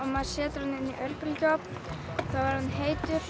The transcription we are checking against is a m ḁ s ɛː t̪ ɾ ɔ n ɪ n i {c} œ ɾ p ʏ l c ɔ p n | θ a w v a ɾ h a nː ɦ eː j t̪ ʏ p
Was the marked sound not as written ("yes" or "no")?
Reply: yes